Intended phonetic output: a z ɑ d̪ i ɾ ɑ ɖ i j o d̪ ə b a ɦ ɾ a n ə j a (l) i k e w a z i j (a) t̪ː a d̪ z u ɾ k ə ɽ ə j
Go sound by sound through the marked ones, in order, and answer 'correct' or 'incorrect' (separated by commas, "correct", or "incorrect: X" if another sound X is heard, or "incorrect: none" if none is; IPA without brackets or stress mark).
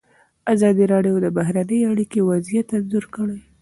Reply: incorrect: ɽ, correct